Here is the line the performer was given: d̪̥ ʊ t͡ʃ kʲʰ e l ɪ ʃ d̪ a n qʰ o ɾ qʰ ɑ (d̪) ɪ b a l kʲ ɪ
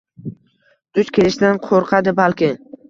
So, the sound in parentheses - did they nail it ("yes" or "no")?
yes